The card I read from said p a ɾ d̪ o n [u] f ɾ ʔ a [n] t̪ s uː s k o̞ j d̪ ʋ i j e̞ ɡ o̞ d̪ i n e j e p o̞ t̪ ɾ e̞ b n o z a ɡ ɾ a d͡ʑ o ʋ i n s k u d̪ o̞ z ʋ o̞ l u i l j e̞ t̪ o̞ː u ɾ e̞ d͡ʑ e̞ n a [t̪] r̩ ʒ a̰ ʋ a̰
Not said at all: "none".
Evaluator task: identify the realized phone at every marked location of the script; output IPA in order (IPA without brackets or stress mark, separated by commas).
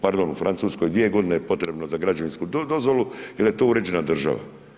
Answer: u, n, d̪